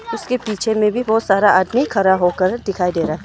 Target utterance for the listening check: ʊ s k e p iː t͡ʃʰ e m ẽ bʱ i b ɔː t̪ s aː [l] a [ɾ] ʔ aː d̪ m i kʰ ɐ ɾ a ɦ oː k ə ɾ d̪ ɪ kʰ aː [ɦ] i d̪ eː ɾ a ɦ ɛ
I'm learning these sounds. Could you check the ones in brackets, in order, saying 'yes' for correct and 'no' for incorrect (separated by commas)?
no, no, no